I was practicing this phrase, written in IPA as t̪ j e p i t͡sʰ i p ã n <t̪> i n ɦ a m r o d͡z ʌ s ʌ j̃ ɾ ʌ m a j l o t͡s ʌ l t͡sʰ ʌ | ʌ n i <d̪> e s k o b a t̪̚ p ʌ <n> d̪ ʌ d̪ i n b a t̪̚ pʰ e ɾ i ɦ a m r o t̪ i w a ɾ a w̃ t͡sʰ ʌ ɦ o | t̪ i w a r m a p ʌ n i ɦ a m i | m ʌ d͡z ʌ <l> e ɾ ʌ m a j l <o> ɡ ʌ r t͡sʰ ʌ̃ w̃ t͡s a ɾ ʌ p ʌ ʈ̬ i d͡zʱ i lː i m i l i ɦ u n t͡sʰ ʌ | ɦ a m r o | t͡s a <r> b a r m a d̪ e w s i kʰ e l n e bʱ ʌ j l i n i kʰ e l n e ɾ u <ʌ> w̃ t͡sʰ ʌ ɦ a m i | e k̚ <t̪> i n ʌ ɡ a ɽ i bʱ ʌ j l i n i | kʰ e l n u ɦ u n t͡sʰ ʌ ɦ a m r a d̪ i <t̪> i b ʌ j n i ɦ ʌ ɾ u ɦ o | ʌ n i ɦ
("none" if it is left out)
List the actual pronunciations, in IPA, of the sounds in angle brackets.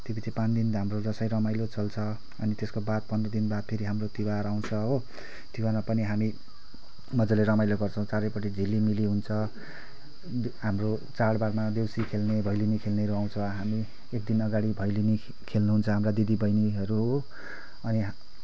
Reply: d̪, t̪, n, l, o, ɽ, a, d̪, d̪

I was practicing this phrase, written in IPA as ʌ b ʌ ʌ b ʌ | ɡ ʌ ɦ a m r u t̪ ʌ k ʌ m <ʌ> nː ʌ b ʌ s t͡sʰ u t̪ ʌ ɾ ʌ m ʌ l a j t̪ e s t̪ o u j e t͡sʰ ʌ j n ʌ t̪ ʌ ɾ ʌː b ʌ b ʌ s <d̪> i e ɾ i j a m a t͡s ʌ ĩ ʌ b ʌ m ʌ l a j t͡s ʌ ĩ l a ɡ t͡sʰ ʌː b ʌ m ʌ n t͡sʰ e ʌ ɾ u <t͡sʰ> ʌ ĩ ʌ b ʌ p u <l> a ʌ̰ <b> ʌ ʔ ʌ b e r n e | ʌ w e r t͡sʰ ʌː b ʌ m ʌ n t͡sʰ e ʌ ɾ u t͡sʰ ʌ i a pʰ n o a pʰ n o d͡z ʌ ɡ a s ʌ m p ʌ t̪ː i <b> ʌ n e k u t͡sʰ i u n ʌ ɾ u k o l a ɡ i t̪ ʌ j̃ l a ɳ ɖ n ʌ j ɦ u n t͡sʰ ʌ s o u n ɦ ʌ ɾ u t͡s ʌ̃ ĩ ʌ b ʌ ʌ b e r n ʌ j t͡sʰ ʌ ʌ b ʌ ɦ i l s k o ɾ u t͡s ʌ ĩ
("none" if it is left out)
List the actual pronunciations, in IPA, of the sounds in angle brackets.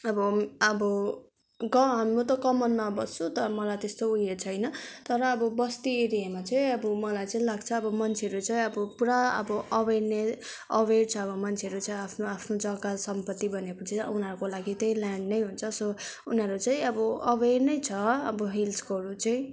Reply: ʌ, t̪, t͡s, ɾ, b, b

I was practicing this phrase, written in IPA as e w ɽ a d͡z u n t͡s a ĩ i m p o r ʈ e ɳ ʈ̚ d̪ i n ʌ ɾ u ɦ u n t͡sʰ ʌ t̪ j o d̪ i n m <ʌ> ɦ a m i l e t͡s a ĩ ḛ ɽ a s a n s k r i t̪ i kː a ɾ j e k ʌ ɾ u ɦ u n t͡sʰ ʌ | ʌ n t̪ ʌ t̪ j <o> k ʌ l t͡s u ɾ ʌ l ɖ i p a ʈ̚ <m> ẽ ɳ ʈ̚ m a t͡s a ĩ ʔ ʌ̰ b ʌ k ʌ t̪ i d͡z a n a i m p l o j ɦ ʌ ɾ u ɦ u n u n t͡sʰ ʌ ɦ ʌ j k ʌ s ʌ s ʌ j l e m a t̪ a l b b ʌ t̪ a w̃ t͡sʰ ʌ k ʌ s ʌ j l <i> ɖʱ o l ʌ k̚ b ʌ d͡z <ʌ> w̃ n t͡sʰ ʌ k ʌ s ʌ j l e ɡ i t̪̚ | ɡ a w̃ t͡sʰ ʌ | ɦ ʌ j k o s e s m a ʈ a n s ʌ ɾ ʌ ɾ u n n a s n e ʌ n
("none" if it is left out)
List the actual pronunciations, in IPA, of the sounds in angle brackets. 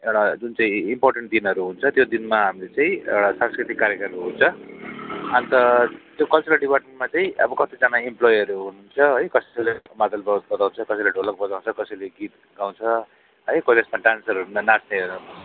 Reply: a, o, m, e, a

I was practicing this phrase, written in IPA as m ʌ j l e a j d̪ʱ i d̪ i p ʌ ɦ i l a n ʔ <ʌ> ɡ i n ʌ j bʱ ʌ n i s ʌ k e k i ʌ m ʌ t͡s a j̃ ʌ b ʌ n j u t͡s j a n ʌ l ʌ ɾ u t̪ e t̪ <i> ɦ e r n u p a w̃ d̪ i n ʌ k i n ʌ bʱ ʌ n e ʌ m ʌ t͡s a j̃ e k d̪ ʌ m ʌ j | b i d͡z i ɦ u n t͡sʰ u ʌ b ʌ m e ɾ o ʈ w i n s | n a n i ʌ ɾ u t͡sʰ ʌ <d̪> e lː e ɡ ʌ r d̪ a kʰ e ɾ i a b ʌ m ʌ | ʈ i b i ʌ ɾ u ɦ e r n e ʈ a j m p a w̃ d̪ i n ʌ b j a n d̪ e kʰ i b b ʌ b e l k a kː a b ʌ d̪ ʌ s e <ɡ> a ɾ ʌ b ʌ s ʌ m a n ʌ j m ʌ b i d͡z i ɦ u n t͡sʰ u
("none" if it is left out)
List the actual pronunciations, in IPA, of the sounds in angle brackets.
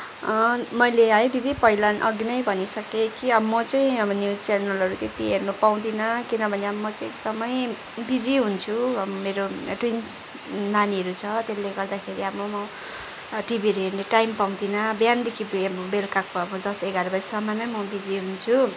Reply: ʌ, i, t̪, ɡ

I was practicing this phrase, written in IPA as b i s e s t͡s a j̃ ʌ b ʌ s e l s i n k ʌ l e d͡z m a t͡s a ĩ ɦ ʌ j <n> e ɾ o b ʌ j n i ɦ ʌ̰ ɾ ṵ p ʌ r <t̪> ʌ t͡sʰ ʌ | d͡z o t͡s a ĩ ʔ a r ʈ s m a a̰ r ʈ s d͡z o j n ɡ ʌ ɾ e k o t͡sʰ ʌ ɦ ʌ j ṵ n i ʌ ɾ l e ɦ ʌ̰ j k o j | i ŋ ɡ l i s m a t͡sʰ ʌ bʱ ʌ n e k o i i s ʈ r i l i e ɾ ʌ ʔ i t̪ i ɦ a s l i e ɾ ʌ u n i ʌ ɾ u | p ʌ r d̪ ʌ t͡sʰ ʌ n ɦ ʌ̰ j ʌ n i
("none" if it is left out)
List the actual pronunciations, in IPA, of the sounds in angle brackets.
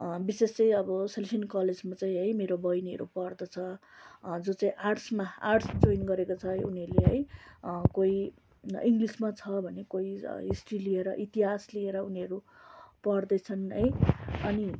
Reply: m, d̪

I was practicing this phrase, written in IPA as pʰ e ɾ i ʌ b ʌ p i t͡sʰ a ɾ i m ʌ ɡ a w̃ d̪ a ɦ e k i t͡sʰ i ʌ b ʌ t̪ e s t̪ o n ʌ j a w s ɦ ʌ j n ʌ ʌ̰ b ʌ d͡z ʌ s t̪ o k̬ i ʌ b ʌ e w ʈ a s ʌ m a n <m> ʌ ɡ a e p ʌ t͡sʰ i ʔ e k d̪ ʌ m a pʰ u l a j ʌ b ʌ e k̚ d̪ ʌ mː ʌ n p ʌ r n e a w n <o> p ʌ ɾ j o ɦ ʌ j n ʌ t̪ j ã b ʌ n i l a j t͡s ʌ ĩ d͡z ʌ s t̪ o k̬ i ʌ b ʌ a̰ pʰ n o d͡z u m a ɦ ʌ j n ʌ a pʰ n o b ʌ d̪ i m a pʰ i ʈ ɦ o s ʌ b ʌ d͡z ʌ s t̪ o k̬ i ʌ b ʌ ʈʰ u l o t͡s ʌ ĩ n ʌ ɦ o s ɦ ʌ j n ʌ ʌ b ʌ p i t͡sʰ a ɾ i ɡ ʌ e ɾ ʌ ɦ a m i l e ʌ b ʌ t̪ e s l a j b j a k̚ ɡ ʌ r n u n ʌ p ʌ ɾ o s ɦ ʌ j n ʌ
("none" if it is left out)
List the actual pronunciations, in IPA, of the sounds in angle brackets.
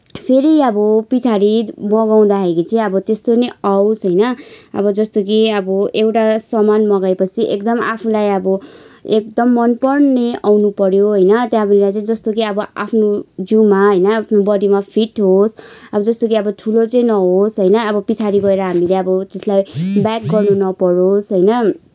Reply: m, u

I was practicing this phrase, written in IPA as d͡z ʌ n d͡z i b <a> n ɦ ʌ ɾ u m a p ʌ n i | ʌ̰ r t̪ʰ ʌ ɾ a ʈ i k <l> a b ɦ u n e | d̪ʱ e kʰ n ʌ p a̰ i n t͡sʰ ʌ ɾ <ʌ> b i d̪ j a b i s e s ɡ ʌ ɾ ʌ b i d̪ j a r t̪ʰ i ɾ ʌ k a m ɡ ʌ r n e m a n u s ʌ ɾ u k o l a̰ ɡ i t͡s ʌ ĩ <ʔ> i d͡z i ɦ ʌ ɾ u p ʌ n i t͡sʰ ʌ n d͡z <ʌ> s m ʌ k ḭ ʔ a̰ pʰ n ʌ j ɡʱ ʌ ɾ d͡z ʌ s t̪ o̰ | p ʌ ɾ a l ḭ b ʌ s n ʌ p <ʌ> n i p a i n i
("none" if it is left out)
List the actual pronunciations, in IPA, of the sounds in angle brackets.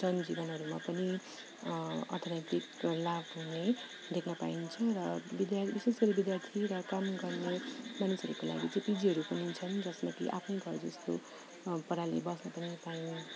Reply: ʌ, l, ʌ, p, ʌ, ʌ

